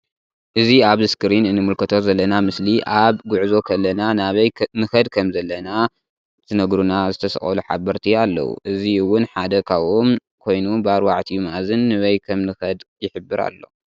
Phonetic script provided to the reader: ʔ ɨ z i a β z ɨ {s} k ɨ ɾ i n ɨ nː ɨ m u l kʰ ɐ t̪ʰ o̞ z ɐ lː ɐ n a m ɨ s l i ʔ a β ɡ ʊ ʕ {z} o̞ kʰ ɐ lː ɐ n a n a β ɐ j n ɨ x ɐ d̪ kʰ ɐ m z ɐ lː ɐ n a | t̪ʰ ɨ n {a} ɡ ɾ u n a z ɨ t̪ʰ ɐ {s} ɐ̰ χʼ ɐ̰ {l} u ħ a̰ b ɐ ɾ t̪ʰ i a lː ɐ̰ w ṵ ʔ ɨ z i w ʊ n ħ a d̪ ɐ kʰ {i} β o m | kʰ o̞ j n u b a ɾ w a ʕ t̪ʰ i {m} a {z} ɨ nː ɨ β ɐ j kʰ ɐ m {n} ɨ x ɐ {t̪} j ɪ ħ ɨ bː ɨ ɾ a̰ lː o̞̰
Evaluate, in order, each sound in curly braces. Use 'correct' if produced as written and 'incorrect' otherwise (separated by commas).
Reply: correct, correct, incorrect, correct, correct, incorrect, correct, correct, correct, incorrect